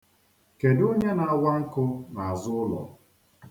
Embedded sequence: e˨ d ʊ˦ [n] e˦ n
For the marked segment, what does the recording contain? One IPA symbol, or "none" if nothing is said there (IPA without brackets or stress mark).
ɲ